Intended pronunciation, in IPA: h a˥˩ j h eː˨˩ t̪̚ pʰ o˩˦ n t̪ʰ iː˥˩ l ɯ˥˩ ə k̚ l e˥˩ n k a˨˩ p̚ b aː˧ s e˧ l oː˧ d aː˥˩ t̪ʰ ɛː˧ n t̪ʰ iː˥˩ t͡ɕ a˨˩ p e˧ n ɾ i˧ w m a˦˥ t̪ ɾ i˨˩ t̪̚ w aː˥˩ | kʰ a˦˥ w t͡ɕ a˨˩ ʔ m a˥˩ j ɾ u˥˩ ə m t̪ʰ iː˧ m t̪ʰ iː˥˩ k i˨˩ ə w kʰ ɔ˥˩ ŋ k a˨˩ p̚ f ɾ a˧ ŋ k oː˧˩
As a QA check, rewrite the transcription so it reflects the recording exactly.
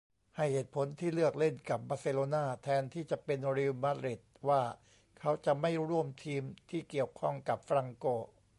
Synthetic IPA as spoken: h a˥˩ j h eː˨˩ t̪̚ pʰ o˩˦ n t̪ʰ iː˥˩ l ɯ˥˩ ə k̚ l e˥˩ n k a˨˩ p̚ b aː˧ s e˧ l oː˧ n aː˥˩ t̪ʰ ɛː˧ n t̪ʰ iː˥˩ t͡ɕ a˨˩ p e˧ n ɾ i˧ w m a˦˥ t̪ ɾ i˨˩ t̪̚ w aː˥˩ | kʰ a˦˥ w t͡ɕ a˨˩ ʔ m a˥˩ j ɾ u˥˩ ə m t̪ʰ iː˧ m t̪ʰ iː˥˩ k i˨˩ ə w kʰ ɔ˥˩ ŋ k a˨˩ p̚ f ɾ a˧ ŋ k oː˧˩

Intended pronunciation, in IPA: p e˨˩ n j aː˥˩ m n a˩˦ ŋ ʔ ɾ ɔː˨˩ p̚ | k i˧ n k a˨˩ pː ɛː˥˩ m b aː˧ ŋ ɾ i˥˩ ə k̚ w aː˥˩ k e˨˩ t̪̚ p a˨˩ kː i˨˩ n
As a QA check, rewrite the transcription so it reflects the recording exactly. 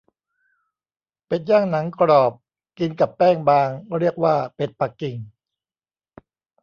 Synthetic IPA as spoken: p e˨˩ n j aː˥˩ ŋ n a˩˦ ŋ k ɾ ɔː˨˩ p̚ | k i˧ n k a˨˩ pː ɛː˥˩ ŋ b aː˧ ŋ ɾ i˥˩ ə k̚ w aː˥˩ p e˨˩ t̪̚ p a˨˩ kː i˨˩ ŋ

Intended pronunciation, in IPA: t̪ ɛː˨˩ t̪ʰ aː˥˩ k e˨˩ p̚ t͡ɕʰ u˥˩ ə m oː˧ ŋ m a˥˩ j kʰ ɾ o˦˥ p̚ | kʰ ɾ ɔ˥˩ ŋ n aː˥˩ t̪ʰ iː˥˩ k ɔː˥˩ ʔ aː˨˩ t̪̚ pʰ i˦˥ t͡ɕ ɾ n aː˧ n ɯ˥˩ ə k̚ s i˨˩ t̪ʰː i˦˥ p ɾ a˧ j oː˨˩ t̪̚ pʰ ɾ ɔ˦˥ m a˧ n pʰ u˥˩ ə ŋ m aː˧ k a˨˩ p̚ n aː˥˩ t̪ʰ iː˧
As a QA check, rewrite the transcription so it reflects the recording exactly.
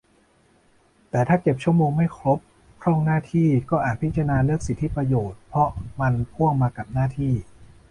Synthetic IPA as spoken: t̪ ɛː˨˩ t̪ʰ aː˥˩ k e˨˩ p̚ t͡ɕʰ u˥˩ ə m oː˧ ŋ m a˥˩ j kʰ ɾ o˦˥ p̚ | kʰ ɾ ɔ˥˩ ŋ n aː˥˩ t̪ʰ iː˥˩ k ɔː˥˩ ʔ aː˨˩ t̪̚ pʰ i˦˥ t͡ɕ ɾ n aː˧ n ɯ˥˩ ə k̚ s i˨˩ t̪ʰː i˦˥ p ɾ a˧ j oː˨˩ t̪̚ pʰ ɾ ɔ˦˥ m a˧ n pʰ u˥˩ ə ŋ m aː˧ k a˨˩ p̚ n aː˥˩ t̪ʰ iː˥˩

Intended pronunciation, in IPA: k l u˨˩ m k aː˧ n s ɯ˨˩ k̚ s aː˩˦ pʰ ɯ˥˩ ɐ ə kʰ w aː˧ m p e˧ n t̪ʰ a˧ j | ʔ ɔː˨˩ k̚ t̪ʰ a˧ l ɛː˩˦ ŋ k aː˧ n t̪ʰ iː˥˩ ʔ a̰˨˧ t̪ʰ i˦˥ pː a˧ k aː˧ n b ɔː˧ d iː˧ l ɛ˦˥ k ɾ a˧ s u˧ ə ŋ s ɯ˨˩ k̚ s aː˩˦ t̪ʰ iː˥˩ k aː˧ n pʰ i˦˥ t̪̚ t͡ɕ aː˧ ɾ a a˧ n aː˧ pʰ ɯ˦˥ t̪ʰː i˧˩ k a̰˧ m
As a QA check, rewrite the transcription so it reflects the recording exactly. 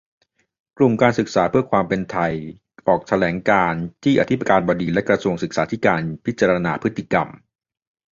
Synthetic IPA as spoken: k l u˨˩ m k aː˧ n s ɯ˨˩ k̚ s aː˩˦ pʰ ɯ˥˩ ɐ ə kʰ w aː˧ m p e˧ n t̪ʰ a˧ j | ʔ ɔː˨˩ k̚ t̪ʰ a˧ l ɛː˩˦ ŋ k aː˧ n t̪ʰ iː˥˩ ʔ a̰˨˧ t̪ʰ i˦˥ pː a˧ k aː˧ n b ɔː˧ d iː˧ l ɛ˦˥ k ɾ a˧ s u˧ ə ŋ s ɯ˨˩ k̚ s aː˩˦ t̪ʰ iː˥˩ k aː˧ n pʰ i˦˥ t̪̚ t͡ɕ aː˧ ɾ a a˧ n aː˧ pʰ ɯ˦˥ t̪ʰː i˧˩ k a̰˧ m

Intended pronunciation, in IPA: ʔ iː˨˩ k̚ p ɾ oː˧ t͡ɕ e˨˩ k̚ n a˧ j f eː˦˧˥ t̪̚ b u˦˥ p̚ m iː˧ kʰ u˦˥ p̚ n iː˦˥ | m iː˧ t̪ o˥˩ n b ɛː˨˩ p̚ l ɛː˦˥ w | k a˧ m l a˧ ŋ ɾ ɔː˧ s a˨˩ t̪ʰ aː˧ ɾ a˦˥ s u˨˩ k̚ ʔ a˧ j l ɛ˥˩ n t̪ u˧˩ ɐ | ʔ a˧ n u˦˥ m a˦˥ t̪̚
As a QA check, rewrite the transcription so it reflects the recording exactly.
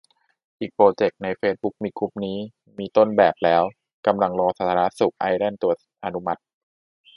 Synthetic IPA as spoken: ʔ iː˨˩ k̚ p ɾ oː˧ t͡ɕ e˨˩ k̚ n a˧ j f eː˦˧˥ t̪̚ b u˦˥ k̚ m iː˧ kʰ u˦˥ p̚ n iː˦˥ | m iː˧ t̪ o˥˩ n b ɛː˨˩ p̚ l ɛː˦˥ w | k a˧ m l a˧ ŋ ɾ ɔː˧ s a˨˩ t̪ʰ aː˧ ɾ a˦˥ s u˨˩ k̚ ʔ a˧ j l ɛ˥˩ n t̪ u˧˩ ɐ | ʔ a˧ n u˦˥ m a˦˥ t̪̚

